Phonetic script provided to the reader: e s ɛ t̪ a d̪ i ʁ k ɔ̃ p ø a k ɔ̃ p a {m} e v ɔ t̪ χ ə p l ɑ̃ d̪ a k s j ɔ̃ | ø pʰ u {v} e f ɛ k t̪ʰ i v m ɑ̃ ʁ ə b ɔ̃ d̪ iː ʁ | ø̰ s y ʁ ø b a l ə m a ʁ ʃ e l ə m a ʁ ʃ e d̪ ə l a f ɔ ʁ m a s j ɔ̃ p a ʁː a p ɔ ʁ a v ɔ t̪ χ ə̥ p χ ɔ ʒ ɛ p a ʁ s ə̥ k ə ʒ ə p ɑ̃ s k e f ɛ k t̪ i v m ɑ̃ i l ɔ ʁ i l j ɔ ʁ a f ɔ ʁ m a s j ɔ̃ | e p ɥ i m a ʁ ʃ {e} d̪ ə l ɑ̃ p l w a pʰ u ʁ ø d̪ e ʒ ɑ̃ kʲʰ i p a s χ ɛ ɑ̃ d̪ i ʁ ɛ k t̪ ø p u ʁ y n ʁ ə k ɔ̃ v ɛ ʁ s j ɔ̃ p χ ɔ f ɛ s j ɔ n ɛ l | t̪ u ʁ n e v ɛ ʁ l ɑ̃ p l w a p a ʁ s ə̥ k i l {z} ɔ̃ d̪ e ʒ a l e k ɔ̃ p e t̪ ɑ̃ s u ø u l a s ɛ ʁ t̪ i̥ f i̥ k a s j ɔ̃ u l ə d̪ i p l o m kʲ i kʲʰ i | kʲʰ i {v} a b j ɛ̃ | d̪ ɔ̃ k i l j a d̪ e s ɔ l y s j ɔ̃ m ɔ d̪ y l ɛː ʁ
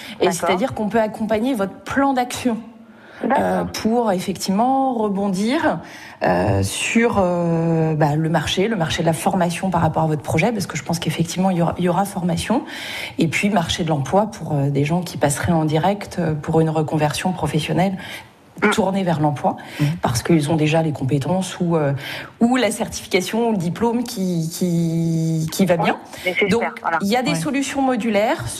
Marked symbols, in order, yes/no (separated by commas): no, no, yes, yes, yes